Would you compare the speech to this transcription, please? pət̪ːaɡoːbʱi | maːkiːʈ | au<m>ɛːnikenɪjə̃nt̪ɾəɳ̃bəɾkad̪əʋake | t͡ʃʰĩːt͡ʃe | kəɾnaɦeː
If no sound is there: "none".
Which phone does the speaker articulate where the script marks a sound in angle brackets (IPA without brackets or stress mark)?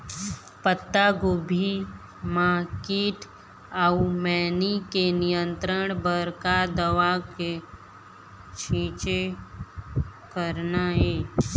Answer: m